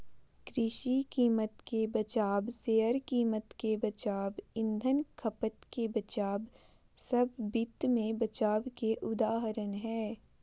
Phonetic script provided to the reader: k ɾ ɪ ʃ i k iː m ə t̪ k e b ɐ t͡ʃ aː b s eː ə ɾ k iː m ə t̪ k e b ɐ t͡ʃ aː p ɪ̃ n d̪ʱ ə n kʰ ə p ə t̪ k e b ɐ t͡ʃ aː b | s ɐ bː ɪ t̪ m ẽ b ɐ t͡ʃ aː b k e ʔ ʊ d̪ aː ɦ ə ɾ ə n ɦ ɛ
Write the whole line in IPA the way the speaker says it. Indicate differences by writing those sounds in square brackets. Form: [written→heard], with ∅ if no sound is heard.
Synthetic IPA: k ɾ ɪ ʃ i k iː m ə t̪ k e b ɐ t͡ʃ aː b s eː ə ɾ k iː m ə t̪ k e b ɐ t͡ʃ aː [p→b] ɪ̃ n d̪ʱ ə n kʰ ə p ə t̪ k e b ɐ t͡ʃ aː b | s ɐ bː ɪ t̪ m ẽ b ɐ t͡ʃ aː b k e ʔ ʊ d̪ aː ɦ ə ɾ ə n ɦ [ɛ→ɛː]

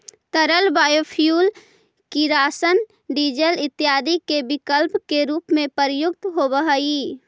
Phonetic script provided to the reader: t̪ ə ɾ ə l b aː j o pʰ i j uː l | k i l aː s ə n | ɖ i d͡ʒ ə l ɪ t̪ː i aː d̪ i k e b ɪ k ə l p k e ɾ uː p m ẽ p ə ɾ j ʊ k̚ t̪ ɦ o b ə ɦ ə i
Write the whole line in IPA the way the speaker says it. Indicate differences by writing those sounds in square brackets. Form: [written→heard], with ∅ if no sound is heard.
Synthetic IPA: t̪ ə ɾ ə l b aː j o pʰ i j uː l | k i [l→ɾ] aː s ə n | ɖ i d͡ʒ ə l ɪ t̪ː [i→j] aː d̪ i k e b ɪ k ə l p k e ɾ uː p m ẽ p ə ɾ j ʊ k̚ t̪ ɦ o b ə ɦ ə i

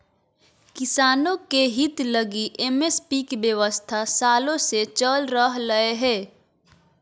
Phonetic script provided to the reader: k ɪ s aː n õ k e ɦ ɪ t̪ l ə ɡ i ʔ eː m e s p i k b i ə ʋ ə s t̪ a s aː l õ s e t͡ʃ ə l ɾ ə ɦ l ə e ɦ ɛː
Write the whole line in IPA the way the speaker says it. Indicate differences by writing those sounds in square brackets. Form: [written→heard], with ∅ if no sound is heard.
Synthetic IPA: k ɪ s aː n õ k e ɦ ɪ t̪ l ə ɡ i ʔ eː m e s p i k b [i→j] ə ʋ ə s [t̪→t̪ʰ] a s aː l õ s e t͡ʃ ə l ɾ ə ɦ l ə e ɦ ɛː

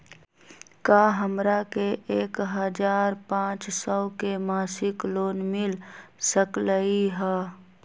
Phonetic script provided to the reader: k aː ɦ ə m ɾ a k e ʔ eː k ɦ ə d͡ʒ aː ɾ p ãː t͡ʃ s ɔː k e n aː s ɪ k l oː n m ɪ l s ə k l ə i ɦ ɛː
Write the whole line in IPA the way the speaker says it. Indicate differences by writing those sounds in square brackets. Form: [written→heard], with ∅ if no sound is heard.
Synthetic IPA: k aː ɦ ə m ɾ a k e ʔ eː k ɦ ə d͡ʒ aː ɾ p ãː t͡ʃ s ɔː k e [n→m] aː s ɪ k l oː n m ɪ l s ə k l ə i ɦ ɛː

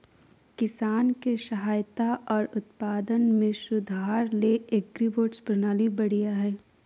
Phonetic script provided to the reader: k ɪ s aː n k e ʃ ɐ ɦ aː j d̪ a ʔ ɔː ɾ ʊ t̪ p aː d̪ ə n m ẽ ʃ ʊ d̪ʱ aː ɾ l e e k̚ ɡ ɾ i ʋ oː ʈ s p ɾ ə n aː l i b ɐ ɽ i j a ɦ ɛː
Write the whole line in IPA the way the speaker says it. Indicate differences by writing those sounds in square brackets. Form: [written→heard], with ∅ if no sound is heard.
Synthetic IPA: k ɪ s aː n k e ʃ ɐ ɦ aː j [d̪→t̪] a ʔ ɔː ɾ ʊ t̪ p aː d̪ ə n m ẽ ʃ ʊ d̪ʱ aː ɾ l e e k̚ ɡ ɾ i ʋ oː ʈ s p ɾ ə n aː l i b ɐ ɽ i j a ɦ ɛː

